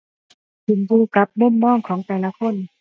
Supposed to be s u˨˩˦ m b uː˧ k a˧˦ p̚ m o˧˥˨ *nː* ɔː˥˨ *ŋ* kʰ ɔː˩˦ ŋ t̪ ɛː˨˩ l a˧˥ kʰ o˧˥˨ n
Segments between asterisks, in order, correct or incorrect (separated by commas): incorrect, correct